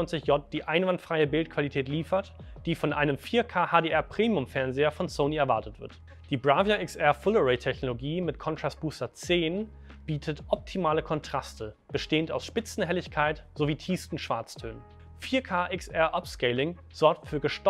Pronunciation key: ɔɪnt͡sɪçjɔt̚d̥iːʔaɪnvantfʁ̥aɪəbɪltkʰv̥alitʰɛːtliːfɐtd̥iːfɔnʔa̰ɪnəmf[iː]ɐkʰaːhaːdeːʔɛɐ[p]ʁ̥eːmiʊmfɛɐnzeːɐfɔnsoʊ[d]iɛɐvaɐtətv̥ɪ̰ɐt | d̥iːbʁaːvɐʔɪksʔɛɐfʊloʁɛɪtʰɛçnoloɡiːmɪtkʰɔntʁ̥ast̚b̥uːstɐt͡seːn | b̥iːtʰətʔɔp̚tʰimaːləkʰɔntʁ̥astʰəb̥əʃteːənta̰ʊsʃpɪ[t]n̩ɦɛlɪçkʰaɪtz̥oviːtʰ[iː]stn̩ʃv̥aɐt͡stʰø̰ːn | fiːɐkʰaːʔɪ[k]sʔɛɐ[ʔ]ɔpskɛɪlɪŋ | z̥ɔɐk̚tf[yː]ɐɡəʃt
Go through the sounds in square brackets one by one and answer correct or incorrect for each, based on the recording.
correct, correct, incorrect, incorrect, correct, correct, correct, correct

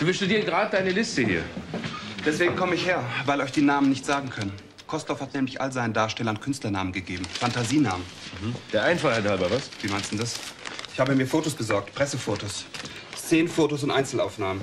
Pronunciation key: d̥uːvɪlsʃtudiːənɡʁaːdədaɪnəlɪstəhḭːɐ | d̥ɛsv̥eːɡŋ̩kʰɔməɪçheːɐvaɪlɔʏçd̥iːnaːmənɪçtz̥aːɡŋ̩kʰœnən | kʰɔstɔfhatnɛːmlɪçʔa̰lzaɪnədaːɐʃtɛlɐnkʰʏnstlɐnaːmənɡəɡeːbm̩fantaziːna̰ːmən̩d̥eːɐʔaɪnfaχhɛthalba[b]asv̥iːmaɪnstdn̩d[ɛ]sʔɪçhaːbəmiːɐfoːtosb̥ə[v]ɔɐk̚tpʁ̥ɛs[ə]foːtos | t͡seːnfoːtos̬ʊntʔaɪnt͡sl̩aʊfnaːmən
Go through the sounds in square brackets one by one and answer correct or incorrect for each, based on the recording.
incorrect, incorrect, incorrect, correct

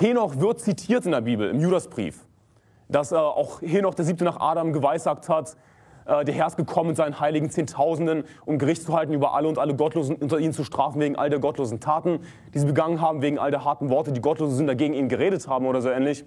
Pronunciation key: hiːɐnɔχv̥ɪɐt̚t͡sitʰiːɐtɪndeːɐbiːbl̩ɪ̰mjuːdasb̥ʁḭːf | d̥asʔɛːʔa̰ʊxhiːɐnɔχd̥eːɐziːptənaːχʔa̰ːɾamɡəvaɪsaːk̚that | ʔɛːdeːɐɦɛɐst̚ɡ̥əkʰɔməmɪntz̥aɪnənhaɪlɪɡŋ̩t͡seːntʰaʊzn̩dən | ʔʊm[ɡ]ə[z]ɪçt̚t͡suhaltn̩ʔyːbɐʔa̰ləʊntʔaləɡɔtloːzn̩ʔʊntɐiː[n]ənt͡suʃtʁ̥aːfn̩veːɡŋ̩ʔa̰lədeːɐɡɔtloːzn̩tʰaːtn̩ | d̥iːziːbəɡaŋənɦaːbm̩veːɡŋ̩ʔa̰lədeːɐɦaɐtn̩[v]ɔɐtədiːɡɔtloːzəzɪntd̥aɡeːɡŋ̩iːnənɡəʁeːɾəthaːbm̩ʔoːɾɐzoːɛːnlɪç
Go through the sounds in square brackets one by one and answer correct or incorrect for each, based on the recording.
correct, incorrect, correct, correct

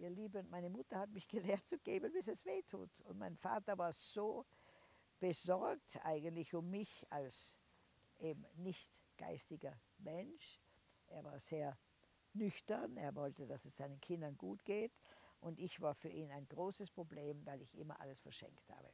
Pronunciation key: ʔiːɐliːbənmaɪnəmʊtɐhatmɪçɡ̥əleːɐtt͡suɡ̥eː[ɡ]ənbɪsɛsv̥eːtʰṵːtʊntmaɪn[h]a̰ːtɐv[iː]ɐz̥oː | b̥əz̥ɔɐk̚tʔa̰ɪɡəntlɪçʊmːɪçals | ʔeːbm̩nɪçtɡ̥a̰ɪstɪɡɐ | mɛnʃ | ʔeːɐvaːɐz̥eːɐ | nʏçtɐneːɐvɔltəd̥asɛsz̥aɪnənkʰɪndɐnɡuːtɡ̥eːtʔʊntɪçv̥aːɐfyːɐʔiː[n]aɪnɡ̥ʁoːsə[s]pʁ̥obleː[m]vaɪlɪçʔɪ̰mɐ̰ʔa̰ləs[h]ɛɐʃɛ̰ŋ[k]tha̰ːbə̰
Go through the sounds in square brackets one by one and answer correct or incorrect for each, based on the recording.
incorrect, incorrect, incorrect, correct, correct, correct, incorrect, correct

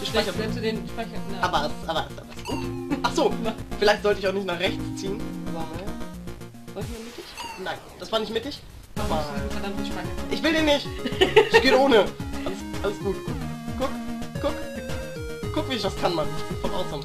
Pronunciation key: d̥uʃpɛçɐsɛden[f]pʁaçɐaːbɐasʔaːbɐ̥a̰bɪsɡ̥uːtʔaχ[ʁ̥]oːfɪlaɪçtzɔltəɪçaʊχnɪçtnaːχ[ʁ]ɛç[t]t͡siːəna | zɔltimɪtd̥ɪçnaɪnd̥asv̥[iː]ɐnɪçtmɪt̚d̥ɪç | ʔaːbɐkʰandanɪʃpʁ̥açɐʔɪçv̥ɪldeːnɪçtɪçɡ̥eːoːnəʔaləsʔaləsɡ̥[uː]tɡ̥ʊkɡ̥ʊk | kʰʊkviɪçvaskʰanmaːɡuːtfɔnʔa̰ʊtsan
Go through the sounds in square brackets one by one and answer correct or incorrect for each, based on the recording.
incorrect, incorrect, correct, incorrect, incorrect, correct

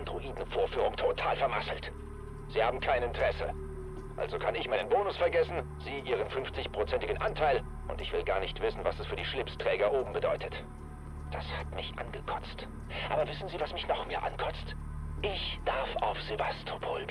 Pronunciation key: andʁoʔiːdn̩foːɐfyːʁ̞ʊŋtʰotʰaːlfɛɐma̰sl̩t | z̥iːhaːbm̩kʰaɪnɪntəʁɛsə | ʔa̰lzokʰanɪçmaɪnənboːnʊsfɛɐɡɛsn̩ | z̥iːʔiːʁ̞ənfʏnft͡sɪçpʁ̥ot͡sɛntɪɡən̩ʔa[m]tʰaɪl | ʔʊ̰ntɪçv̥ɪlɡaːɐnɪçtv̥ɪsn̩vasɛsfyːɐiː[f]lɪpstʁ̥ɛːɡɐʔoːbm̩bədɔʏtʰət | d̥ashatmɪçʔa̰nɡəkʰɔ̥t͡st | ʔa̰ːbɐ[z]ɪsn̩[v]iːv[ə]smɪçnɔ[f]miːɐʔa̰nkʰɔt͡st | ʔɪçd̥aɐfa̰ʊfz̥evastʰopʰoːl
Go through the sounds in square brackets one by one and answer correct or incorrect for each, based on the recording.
incorrect, incorrect, incorrect, incorrect, incorrect, incorrect

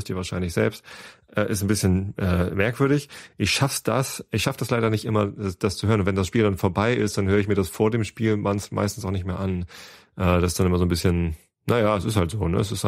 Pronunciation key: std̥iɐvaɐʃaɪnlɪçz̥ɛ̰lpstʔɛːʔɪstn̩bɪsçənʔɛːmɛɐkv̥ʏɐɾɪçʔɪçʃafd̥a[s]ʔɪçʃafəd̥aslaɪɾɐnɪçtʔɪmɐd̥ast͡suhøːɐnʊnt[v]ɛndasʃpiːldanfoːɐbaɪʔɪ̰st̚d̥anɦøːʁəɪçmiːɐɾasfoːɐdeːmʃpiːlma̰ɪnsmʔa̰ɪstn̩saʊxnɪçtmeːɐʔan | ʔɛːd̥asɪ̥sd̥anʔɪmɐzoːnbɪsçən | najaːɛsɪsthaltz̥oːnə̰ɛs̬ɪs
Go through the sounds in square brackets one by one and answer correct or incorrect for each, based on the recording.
correct, correct

